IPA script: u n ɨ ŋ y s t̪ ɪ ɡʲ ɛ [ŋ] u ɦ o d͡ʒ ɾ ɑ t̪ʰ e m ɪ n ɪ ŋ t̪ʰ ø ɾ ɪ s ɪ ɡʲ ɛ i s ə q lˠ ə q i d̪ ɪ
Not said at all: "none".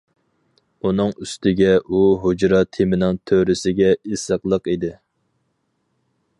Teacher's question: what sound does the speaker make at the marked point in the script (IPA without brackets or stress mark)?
none